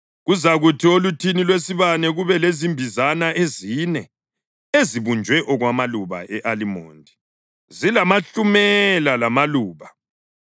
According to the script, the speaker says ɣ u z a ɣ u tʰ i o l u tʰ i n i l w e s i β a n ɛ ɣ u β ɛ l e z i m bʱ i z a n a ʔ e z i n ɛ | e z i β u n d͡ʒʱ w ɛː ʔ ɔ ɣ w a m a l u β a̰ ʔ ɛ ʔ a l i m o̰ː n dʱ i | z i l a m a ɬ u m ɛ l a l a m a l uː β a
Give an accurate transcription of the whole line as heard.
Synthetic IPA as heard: ɣ u z a ɣ u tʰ i o l u tʰ i n i l w e s i β a n ɛ ɣ u β ɛ l e z i m bʱ i z a n a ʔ e z i n ɛ | e z i β u n d͡ʒʱ w ɛ ʔ ɔ ɣ w a m a l u β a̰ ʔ ɛ ʔ a l i m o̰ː n dʱ i | z i l a m a ɬ u m ɛ l a l a m a l uː β a